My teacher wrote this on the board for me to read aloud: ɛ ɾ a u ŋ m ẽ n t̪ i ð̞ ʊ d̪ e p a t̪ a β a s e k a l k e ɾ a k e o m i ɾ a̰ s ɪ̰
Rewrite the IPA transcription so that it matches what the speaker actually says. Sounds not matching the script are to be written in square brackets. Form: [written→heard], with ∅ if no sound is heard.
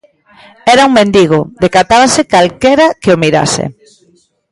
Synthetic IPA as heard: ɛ ɾ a u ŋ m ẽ n [t̪→d̪] i [ð̞→ɣ̞] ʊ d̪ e [p→k] a t̪ a β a s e k a l k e ɾ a k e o m i ɾ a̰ s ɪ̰